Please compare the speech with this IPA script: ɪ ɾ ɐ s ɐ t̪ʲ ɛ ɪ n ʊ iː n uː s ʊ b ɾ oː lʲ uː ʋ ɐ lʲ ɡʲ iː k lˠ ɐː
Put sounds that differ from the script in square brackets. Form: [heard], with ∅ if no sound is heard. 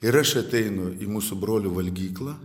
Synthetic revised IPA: ɪ ɾ ɐ [ʃ] ɐ t̪ʲ ɛ ɪ n ʊ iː [m] uː s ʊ b ɾ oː lʲ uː ʋ ɐ lʲ ɡʲ iː k lˠ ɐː